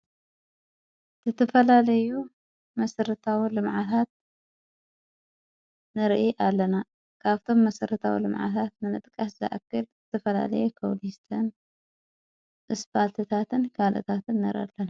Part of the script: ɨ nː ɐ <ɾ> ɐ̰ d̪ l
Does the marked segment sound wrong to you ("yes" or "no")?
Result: no